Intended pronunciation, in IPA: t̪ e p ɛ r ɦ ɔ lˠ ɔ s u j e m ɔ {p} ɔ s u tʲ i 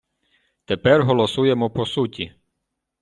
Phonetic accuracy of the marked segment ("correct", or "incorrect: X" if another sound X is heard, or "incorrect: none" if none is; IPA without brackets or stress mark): correct